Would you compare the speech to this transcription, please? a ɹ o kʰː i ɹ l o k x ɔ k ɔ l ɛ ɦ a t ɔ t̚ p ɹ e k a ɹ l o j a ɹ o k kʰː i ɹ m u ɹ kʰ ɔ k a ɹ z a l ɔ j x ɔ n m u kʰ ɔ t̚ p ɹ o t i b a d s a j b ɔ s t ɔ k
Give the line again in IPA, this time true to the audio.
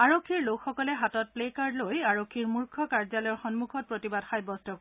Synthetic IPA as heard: a ɹ o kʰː i ɹ l o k x ɔ k ɔ l ɛ ɦ a t ɔ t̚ p l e k a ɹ l o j a ɹ o k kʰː i ɹ m u ɹ kʰ ɔ k a ɹ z a l ɔ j x ɔ n m u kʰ ɔ t̚ p ɹ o t i b a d x a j b ɔ s t ɔ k